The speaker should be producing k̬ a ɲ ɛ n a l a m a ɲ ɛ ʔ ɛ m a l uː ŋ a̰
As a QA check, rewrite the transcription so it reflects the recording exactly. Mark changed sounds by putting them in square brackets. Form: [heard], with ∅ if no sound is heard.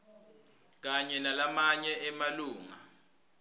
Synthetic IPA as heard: k̬ a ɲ ɛ n a l a m a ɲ ɛ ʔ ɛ m a l uː ŋ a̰